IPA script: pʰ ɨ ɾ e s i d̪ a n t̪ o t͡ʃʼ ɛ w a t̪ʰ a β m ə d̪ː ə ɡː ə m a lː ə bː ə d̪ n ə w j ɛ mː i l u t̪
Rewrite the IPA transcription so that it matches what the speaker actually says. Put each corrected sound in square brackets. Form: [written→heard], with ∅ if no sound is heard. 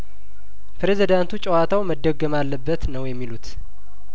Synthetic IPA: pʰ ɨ ɾ e [s→z] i d̪ a n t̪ [o→u] t͡ʃʼ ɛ w a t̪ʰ a [β→w] m ə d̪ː ə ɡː ə m a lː ə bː ə [d̪→t̪] n ə w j ɛ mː i l u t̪